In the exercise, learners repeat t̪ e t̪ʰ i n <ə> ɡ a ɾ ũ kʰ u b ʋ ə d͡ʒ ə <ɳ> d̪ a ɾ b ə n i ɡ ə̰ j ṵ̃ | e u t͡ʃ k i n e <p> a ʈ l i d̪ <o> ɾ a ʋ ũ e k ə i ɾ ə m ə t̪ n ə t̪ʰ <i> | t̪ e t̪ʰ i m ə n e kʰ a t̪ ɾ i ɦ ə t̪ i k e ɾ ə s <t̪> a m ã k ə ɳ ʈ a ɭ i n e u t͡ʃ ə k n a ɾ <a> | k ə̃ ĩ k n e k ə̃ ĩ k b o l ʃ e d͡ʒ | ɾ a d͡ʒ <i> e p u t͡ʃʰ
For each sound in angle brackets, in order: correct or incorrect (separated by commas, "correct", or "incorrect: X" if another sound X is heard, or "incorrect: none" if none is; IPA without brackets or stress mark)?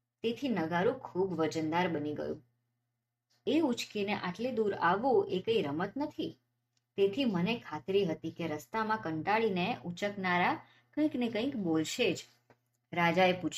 correct, incorrect: n, incorrect: ʔ, incorrect: u, correct, correct, correct, incorrect: a